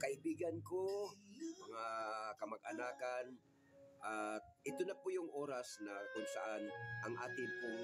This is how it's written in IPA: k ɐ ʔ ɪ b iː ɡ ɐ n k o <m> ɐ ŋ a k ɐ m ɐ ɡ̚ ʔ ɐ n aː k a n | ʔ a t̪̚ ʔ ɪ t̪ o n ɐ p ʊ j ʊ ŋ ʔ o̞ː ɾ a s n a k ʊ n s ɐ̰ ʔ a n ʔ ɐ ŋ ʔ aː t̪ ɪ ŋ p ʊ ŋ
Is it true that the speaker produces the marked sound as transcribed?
yes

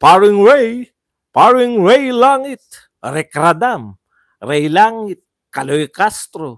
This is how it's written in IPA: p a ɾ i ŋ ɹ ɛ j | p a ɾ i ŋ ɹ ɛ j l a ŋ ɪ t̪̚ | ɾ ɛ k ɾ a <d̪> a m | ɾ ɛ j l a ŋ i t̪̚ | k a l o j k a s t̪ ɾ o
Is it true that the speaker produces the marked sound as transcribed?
yes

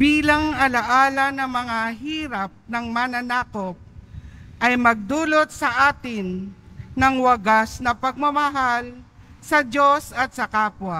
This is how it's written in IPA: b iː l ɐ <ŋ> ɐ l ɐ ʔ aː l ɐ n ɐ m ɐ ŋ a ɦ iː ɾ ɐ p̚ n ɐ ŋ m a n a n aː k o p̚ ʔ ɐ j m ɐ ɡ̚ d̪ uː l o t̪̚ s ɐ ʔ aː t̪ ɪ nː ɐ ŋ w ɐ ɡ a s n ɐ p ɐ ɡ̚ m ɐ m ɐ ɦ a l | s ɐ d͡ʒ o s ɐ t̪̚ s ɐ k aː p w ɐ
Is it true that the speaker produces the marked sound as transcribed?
yes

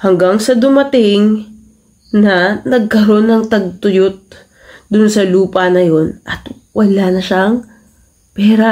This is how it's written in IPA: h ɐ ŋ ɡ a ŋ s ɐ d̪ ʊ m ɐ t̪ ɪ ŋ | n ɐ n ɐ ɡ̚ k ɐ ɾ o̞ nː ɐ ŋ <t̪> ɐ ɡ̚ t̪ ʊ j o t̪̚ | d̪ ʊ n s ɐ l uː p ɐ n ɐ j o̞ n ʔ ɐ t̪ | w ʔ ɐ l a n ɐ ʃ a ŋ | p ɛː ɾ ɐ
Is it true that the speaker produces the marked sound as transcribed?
yes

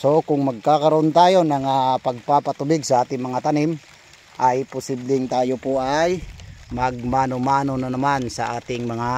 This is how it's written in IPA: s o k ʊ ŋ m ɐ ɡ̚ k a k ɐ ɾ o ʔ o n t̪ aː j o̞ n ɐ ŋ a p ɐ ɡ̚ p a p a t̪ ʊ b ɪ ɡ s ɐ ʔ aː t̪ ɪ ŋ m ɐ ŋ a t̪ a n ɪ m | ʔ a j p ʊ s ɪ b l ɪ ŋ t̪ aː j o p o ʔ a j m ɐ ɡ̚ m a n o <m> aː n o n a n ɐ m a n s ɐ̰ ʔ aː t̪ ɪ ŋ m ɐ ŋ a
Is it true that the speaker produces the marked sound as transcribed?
yes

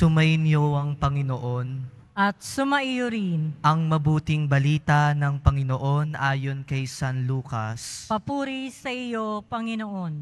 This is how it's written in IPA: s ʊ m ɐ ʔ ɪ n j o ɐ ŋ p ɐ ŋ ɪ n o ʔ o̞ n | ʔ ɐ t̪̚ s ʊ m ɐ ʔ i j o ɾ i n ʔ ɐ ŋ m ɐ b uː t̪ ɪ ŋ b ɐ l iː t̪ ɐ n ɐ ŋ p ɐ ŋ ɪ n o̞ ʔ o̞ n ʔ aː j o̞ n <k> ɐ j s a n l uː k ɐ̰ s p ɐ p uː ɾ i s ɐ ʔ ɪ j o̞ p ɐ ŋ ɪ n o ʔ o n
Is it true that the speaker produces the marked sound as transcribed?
yes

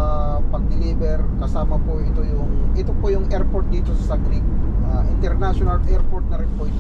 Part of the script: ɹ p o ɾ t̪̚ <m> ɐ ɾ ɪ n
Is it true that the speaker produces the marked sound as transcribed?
no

